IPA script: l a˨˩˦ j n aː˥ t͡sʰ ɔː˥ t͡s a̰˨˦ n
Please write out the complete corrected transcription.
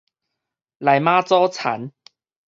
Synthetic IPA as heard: l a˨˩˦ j m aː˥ t͡s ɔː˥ t͡sʰ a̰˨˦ n